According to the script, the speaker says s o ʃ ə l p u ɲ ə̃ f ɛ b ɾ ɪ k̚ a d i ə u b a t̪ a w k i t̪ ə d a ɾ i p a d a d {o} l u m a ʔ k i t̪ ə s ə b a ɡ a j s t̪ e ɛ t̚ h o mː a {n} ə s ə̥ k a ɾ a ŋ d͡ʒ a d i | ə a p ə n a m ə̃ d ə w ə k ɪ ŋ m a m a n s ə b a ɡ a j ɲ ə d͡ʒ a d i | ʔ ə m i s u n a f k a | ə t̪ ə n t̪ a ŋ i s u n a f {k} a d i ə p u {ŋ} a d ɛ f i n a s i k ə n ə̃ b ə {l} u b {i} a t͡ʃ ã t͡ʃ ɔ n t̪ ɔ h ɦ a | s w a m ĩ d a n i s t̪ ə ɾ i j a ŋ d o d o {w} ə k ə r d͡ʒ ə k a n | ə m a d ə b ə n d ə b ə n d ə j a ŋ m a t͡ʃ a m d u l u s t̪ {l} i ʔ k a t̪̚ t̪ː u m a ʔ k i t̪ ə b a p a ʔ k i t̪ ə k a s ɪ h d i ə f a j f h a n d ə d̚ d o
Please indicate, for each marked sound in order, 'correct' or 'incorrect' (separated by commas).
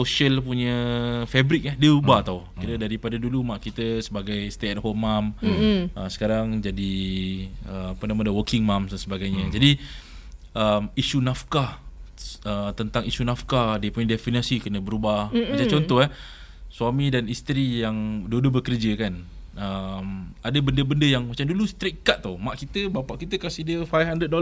incorrect, incorrect, correct, incorrect, incorrect, incorrect, incorrect, incorrect